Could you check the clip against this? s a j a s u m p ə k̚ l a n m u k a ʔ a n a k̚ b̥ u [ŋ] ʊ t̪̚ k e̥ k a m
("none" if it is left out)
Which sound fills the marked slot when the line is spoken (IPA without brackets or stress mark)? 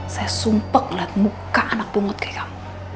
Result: ŋ